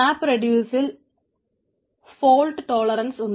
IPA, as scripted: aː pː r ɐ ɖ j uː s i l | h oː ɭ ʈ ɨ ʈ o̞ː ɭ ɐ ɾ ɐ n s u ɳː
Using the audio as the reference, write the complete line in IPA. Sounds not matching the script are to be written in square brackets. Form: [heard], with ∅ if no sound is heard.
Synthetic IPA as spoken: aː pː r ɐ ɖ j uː s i l | [f] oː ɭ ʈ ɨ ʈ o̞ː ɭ ɐ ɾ ɐ n s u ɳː

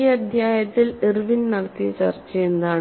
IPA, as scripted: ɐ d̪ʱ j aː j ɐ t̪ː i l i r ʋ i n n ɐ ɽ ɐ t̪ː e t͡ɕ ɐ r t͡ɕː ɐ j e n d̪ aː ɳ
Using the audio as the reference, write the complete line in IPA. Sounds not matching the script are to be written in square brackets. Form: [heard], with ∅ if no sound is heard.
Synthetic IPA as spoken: ɐ d̪ʱ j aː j ɐ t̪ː i l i r ʋ i n n ɐ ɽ ɐ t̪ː [i] t͡ɕ ɐ r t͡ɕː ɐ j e n d̪ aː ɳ

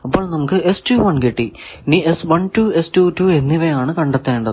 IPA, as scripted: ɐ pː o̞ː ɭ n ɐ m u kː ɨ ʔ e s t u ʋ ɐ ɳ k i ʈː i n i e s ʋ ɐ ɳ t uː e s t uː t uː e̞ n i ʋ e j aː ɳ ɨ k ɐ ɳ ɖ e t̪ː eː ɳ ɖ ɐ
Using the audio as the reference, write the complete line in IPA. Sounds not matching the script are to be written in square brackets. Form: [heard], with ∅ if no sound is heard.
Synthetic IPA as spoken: ɐ pː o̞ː ɭ n ɐ m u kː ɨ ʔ e s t u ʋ ɐ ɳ k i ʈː i n i e s ʋ ɐ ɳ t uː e s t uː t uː e̞ [nː] i ʋ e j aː ɳ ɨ k ɐ ɳ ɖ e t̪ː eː ɳ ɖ ɐ

